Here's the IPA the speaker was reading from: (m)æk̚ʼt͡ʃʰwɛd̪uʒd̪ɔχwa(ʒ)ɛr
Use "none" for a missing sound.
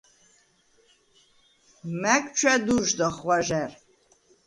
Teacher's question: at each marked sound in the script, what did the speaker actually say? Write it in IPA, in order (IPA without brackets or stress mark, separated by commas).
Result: m, ʒ